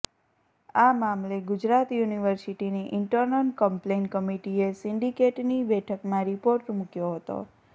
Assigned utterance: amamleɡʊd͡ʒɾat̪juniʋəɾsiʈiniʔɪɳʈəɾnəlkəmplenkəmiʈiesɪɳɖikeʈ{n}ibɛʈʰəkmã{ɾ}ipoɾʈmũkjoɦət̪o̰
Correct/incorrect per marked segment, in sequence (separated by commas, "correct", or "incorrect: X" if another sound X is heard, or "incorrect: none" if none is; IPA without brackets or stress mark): correct, correct